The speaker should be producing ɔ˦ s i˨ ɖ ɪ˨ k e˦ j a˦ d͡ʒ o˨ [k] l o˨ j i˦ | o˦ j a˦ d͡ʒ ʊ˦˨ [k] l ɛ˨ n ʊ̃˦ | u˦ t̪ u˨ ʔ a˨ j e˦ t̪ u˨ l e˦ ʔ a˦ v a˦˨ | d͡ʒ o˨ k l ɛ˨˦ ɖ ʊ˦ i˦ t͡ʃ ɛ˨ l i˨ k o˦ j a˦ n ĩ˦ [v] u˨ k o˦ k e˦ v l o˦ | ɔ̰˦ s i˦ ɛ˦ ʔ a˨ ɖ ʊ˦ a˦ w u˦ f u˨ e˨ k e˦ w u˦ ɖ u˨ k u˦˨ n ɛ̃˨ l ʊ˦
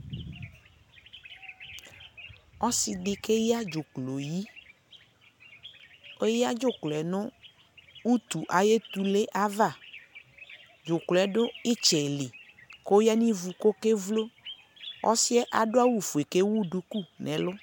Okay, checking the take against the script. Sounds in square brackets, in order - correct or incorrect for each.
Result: correct, correct, correct

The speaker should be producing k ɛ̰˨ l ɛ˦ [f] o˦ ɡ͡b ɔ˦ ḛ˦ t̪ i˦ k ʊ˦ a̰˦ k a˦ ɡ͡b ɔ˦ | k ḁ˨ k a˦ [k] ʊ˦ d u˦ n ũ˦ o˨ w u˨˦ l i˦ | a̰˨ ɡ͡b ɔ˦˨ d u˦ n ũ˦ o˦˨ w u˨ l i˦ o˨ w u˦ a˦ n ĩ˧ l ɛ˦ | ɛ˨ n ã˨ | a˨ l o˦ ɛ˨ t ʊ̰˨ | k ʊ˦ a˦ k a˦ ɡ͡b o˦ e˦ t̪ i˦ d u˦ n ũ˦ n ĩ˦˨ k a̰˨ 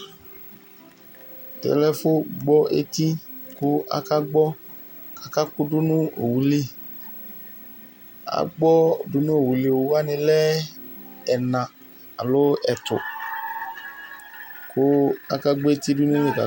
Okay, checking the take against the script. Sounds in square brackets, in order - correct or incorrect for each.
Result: correct, correct

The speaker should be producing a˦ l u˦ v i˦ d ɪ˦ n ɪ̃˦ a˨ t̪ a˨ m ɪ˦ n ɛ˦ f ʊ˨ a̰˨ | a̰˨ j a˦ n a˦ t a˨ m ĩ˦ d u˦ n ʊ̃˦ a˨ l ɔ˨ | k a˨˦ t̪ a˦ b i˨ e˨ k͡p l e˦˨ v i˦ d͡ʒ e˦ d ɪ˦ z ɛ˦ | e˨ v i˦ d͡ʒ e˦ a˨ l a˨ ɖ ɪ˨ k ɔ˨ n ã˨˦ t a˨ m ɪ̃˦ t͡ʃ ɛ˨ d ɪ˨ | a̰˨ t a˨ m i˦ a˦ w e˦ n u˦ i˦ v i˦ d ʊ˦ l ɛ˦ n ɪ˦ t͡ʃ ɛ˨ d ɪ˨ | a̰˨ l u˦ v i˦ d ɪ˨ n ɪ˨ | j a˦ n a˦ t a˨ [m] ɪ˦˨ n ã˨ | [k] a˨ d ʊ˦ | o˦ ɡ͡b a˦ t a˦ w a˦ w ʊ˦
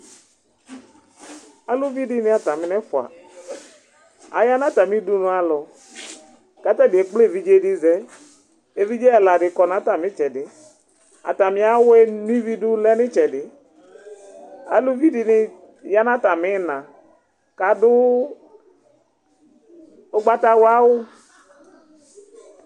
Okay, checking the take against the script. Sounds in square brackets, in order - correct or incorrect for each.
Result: correct, correct

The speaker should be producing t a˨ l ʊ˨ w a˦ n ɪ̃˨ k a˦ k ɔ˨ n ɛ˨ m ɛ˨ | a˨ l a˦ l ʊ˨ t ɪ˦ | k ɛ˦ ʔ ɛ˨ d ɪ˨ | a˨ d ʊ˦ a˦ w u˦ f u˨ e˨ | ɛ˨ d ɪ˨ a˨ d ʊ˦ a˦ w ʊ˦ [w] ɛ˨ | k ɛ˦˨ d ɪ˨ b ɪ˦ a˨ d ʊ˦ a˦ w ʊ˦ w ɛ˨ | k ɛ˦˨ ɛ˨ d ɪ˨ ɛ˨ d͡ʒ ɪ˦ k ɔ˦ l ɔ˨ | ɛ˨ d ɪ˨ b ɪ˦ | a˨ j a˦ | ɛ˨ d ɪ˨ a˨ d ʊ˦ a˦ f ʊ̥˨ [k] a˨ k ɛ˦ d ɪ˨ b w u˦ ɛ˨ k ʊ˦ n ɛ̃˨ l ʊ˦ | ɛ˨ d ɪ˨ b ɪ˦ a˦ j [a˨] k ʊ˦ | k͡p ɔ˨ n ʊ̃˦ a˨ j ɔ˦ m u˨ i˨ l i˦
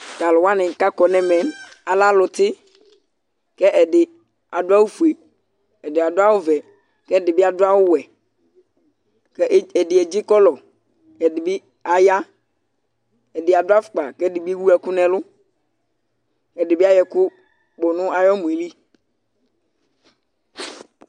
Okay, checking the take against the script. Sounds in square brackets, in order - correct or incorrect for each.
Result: incorrect: v, incorrect: k͡p, incorrect: ɛ˨

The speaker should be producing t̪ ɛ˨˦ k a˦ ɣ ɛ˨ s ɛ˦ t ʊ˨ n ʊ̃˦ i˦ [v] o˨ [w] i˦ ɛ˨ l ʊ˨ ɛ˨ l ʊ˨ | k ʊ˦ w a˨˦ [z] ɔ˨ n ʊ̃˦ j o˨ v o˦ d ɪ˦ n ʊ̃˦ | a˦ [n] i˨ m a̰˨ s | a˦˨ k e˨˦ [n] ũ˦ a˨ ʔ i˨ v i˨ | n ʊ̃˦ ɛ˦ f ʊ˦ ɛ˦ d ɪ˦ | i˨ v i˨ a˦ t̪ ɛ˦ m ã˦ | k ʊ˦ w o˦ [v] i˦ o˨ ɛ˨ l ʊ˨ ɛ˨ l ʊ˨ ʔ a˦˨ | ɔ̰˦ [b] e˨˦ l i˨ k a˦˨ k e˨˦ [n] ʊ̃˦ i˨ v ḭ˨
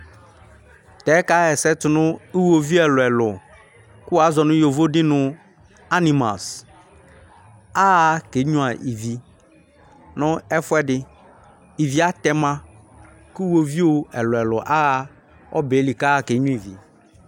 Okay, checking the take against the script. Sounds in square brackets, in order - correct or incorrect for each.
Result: incorrect: w, incorrect: v, correct, correct, incorrect: ɲ, correct, correct, incorrect: ɲ

